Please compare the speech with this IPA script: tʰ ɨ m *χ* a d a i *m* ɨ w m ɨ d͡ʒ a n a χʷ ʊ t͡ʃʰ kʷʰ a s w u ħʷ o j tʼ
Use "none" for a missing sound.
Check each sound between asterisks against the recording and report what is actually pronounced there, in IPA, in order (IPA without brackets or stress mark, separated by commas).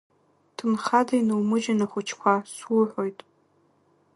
χ, n